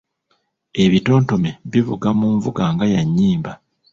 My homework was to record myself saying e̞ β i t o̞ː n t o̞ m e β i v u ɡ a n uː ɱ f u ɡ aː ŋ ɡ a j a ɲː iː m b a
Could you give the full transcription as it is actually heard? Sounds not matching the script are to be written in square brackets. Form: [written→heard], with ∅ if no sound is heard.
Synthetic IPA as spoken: e̞ β i t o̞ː n t o̞ m e β i v u ɡ a [n→m] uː ɱ [f→v] u ɡ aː ŋ ɡ a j a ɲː iː m b a